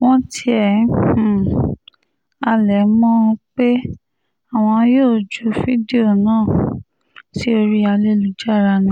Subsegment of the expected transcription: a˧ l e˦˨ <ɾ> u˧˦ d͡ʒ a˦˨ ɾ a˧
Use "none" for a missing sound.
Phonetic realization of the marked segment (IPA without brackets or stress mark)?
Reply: l